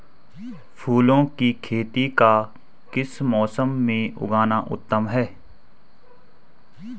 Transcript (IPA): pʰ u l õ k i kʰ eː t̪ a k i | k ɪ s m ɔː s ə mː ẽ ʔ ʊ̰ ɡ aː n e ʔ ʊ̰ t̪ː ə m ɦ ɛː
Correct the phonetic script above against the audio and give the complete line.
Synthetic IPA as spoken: pʰ uː l õ k i kʰ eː t̪ i k a | k ɪ s m ɔː s ə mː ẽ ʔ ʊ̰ ɡ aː n a ʔ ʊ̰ t̪ː ə m ɦ ɛː